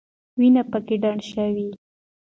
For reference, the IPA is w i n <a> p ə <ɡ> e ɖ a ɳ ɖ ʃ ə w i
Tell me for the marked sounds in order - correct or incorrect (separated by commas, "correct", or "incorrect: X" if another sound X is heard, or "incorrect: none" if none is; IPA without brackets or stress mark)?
correct, incorrect: k